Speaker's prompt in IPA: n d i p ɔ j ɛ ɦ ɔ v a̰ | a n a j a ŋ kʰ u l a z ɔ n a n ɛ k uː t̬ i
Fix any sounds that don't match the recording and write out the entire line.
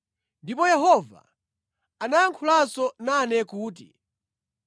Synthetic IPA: n d i p ɔ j ɛ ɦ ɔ v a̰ | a n a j a ŋ kʰ u l a s ɔ n a n ɛ k uː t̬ i